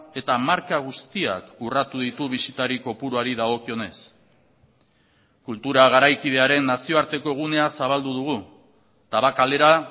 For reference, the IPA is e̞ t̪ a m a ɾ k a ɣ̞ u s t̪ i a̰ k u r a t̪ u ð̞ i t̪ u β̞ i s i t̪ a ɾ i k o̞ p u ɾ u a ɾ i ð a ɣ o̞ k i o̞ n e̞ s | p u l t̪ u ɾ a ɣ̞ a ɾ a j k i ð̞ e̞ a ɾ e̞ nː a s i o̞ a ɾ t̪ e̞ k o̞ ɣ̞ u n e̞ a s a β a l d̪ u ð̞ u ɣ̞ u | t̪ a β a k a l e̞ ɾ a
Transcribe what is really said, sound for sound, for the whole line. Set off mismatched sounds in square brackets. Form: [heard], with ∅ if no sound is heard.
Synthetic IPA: e̞ t̪ a m a ɾ k a ɣ̞ u s t̪ i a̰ k u r a t̪ u ð̞ i t̪ u β̞ i s i t̪ a ɾ i k o̞ p u ɾ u a ɾ i ð a ɣ o̞ k i o̞ n e̞ s | [k] u l t̪ u ɾ a ɣ̞ a ɾ a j k i ð̞ e̞ a ɾ e̞ nː a s i o̞ a ɾ t̪ e̞ k o̞ ɣ̞ u n e̞ a s a β a l d̪ u ð̞ u ɣ̞ u | t̪ a β a k a l e̞ ɾ a